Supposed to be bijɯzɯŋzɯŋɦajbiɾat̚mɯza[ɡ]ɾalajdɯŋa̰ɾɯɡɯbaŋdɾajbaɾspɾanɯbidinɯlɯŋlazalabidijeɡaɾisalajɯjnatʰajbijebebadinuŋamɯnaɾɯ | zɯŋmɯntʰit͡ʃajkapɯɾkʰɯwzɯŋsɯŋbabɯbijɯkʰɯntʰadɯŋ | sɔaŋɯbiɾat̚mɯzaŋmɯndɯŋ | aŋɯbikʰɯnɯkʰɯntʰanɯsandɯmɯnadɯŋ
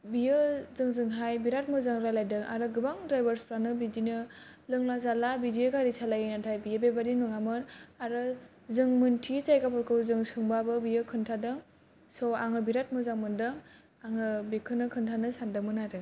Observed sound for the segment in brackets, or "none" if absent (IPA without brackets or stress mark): ŋ